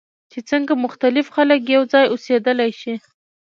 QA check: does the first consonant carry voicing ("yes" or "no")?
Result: no